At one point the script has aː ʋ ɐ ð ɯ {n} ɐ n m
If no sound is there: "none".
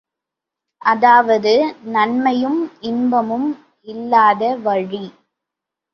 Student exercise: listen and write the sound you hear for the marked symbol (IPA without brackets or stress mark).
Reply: n